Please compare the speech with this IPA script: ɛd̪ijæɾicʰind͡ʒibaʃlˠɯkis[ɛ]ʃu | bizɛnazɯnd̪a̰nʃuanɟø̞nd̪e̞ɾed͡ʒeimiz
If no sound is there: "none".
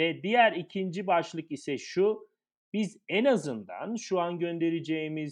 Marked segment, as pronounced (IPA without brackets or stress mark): ɛ